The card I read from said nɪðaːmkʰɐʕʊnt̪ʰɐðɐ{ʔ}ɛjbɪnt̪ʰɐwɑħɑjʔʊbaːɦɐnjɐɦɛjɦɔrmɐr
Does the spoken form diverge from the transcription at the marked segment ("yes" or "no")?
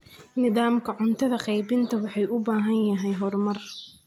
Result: yes